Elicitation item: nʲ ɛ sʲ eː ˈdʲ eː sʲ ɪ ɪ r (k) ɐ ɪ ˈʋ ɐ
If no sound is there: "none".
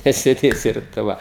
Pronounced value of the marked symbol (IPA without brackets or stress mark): t